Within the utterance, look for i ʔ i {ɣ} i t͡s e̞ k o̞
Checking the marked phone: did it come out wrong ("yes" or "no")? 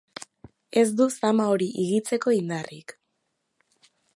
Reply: no